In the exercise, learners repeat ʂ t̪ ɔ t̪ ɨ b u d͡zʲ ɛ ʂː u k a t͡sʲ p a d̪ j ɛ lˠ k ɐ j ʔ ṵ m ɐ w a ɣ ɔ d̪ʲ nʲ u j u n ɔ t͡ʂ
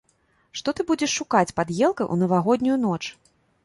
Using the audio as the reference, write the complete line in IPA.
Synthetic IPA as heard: ʂ t̪ ɔ t̪ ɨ b u d͡zʲ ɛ ʂː u k a t͡sʲ p a d̪ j ɛ lˠ k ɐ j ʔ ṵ n ɐ v a ɣ ɔ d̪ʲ nʲ u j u n ɔ t͡ʂ

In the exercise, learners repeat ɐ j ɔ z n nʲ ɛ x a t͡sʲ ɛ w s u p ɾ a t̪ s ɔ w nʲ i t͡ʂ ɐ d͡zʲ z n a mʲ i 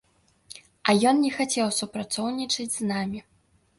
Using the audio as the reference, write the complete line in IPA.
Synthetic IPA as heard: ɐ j ɔ n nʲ ɛ x a t͡sʲ ɛ w s u p ɾ a t̪ s ɔ w nʲ i t͡ʂ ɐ d͡zʲ z n a mʲ i

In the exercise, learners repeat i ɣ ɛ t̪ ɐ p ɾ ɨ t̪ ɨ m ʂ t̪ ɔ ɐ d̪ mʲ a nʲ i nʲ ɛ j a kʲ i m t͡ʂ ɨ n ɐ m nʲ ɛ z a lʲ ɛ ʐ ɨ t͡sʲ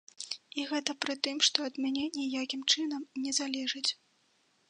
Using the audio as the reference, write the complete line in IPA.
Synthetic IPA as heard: i ɣ ɛ t̪ ɐ p ɾ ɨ t̪ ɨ m ʂ t̪ ɔ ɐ d̪ mʲ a nʲ ɛ nʲ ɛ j a kʲ i m t͡ʂ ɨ n ɐ m nʲ ɛ z a lʲ ɛ ʐ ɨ t͡sʲ

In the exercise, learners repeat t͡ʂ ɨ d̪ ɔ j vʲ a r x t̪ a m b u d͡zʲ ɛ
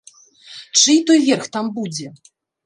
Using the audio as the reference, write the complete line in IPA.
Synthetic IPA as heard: t͡ʂ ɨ t̪ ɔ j vʲ ɛ r x t̪ a m b u d͡zʲ ɛ

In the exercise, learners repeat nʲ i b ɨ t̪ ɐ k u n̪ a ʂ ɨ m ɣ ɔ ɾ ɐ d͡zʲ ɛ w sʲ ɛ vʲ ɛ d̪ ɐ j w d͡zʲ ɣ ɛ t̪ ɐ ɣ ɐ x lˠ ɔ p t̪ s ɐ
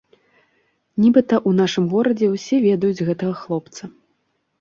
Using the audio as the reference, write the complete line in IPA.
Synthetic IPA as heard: nʲ i b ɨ t̪ ɐ ʔ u n̪ a ʂ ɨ m ɣ ɔ ɾ ɐ d͡zʲ ɛ w sʲ ɛ vʲ ɛ d̪ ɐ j u d͡zʲ ɣ ɛ t̪ ɐ ɣ ɐ x lˠ ɔ p t̪ s ɐ

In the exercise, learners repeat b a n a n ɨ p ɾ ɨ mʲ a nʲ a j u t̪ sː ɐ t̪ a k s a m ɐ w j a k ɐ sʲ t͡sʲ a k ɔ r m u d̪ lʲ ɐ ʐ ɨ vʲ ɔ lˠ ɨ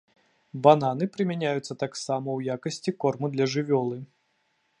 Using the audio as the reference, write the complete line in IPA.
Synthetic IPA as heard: b a n a n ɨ p ɾ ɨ mʲ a nʲ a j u t̪ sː ɐ t̪ a k s a m ɐ w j a k ɐ sʲ t͡sʲ i k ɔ r m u d̪ lʲ ɐ ʐ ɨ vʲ ɔ lˠ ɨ

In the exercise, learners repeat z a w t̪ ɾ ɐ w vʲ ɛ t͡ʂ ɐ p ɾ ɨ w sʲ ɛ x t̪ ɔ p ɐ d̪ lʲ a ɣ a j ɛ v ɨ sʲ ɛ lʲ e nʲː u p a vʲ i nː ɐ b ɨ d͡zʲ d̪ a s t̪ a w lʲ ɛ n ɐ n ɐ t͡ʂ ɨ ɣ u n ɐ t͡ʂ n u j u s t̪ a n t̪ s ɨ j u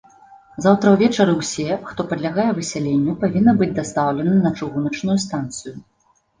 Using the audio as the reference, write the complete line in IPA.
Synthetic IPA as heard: z a w t̪ ɾ ɐ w vʲ ɛ t͡ʂ ɐ ɾ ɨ w sʲ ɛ x t̪ ɔ p ɐ d̪ lʲ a ɣ a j ɛ v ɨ sʲ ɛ lʲ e nʲː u p a vʲ i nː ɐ b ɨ d͡zʲ d̪ a s t̪ a w lʲ ɛ n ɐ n ɐ t͡ʂ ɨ ɣ u n ɐ t͡ʂ n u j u s t̪ a n t̪ s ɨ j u

